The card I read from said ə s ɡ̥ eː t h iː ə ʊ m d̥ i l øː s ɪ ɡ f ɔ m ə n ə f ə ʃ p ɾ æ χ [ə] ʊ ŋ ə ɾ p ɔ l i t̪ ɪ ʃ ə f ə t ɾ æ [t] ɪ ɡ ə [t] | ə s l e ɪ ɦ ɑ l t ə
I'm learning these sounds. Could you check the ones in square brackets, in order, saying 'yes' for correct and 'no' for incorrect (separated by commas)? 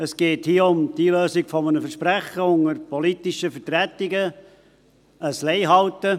yes, yes, no